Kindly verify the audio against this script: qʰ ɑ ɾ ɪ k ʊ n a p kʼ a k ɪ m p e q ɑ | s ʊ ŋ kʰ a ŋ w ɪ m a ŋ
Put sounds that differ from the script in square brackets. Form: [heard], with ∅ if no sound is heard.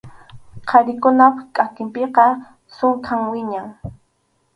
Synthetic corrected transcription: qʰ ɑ ɾ ɪ k ʊ n a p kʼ a k ɪ m p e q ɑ | s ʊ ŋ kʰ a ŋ w ɪ [ɲ] a ŋ